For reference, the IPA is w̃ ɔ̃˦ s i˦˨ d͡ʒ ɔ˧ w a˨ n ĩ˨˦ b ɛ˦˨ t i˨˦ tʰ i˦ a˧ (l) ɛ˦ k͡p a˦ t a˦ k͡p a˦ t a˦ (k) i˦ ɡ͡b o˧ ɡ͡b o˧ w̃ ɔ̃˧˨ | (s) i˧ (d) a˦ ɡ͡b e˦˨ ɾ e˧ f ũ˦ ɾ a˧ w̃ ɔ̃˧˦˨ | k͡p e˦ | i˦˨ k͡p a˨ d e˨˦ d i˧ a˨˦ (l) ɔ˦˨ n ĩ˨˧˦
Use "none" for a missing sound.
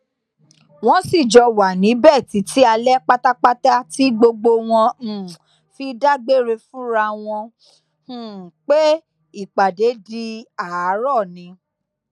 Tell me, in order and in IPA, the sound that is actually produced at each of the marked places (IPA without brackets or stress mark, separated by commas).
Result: l, t, f, d, ɾ